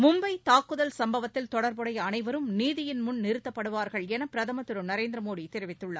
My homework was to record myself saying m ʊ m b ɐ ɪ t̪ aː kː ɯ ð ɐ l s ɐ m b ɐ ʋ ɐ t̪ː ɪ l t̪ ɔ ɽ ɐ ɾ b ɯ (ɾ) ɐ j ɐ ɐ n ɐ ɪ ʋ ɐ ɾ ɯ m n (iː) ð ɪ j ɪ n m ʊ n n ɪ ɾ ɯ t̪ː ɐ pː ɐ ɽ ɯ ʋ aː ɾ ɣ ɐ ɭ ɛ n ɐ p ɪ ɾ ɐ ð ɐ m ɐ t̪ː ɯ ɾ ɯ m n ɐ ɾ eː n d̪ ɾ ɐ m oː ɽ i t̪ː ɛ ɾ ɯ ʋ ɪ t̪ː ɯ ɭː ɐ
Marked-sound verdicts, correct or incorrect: incorrect, correct

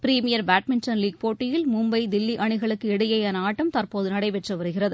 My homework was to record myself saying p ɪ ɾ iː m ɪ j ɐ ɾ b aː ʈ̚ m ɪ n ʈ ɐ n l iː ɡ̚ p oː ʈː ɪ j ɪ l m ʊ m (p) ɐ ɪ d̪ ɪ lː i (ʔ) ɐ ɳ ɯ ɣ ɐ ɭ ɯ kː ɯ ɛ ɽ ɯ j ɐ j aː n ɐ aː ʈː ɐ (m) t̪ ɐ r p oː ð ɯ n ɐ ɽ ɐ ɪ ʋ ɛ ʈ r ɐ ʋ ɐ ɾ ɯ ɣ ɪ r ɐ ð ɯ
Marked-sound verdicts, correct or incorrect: incorrect, correct, correct

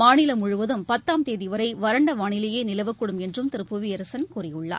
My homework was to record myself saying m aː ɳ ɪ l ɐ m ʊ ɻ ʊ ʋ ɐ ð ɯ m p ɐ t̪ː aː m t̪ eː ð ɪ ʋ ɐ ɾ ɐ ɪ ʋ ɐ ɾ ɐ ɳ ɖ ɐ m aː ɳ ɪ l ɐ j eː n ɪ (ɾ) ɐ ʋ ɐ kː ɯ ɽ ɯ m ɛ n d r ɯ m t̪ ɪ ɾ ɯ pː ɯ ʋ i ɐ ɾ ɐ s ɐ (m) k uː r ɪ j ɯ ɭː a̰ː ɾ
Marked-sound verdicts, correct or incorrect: incorrect, incorrect

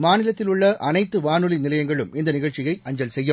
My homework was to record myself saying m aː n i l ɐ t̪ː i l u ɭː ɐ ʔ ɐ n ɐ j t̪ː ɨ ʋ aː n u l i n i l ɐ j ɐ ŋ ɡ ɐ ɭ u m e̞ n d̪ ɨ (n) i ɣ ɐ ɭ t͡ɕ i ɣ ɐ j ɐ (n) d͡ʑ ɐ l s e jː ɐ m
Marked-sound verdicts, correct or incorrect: correct, incorrect

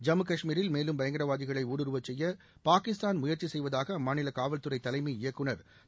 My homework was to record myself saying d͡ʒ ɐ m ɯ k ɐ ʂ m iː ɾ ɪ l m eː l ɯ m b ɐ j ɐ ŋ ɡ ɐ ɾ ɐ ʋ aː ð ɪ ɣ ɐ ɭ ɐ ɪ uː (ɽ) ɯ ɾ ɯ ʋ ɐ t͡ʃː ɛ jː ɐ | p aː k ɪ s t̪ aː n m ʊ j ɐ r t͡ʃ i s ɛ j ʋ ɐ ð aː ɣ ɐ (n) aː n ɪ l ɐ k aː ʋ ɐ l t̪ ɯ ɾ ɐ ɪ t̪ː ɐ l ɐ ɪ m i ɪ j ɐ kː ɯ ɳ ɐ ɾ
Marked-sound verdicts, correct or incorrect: correct, incorrect

